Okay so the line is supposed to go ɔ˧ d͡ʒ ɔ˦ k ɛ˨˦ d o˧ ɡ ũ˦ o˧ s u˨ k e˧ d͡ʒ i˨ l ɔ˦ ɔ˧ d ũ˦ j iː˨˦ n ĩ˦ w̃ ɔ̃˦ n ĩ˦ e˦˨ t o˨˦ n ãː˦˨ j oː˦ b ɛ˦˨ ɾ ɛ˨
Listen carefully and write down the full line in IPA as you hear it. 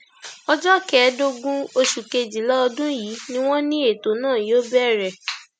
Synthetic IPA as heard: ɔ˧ d͡ʒ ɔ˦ k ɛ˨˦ d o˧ ɡ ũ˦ o˧ ʃ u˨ k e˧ d͡ʒ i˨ l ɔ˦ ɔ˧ d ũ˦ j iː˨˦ n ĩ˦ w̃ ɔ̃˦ n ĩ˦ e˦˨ t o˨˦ n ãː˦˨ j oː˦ b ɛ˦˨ ɾ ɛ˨